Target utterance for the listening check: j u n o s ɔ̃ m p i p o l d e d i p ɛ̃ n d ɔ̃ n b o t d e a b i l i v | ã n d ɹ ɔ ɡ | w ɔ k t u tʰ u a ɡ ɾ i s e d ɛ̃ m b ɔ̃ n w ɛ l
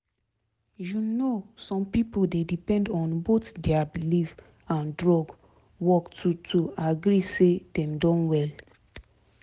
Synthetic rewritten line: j u n o s ɔ̃ m p i p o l d e d i p ɛ̃ n d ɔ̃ n b o t d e a b i l i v | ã n d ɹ ɔ ɡ | w ɔ k t u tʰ u a ɡ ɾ i s e d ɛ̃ m d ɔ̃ n w ɛ l